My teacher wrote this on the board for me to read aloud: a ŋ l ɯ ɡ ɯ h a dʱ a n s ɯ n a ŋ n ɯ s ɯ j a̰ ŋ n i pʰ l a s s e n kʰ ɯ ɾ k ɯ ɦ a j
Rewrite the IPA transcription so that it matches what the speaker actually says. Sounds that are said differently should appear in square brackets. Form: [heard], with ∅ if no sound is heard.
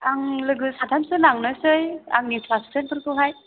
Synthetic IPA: a ŋ l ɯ ɡ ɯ [s] a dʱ a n s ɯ n a ŋ n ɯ s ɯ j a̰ ŋ n i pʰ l a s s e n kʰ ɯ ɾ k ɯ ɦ a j